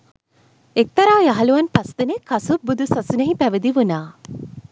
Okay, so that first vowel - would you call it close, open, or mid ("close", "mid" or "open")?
mid